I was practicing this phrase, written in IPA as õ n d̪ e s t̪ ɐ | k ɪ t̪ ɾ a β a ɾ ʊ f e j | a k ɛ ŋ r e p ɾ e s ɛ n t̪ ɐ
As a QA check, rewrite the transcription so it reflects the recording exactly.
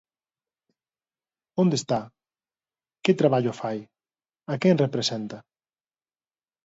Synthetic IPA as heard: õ n d̪ e s t̪ a | k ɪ t̪ ɾ a β a ʎ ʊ f a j | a k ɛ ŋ r e p ɾ e s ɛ n t̪ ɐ